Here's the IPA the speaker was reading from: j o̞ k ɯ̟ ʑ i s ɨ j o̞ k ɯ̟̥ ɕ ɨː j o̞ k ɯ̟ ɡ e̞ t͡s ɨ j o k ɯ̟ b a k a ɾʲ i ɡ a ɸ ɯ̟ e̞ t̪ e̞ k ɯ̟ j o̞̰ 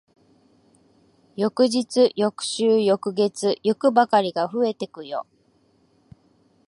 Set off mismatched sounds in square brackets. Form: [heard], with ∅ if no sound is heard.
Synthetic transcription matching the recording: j o̞ k ɯ̟ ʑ i [t͡s] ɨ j o̞ k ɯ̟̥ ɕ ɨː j o̞ k ɯ̟ ɡ e̞ t͡s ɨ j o k ɯ̟ b a k a ɾʲ i ɡ a ɸ ɯ̟ e̞ t̪ e̞ k ɯ̟ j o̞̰